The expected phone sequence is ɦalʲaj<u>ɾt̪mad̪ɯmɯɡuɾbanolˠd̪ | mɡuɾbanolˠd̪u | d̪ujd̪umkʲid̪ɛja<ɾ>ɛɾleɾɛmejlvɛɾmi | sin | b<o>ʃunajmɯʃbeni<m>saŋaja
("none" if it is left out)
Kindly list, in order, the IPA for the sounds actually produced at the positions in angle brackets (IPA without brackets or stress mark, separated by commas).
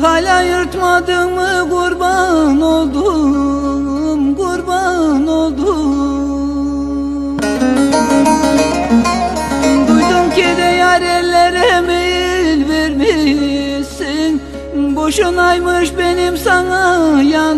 ɯ, ɾ, o, m